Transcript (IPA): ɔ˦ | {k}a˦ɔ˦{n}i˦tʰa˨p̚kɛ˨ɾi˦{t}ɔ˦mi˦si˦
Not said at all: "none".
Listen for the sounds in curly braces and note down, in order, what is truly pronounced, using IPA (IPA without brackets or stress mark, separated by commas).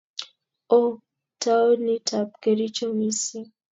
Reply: t, n, t͡ʃ